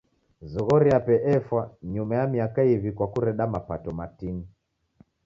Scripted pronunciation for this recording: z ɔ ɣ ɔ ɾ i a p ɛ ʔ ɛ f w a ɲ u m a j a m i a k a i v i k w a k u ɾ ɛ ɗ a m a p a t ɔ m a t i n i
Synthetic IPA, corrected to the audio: z ɔ ɣ ɔ ɾ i a p ɛ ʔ ɛ f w a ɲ u m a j a m i a k a i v i k w a k u ɾ ɛ ɗ a m a p a t ɔ m a t i n i